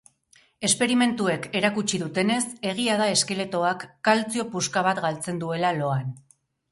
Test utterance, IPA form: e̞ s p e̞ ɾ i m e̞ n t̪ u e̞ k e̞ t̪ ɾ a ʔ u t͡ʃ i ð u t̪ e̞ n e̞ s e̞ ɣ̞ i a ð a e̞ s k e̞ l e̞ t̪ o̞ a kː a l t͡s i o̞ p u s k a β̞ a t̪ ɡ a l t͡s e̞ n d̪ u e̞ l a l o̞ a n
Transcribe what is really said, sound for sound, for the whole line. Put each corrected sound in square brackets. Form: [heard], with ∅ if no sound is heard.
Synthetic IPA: e̞ s p e̞ ɾ i m e̞ n t̪ u e̞ k e̞ [∅] ɾ a [k] u t͡ʃ i ð u t̪ e̞ n e̞ s e̞ ɣ̞ i a ð a e̞ s k e̞ l e̞ t̪ o̞ a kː a l t͡s i o̞ p u s k a β̞ a t̪ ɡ a l t͡s e̞ n d̪ u e̞ l a l o̞ a n